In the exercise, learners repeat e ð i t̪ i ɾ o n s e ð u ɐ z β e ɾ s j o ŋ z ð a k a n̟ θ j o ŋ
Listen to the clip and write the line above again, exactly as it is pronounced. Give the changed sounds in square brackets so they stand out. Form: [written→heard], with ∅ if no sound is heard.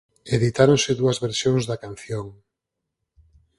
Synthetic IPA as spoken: e ð i t̪ [i→a] ɾ o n s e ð u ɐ z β e ɾ s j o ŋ z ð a k a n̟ θ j o ŋ